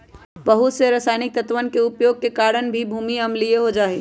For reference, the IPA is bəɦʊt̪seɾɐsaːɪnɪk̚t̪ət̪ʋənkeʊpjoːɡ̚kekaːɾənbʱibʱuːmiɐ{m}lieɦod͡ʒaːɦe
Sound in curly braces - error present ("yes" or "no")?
no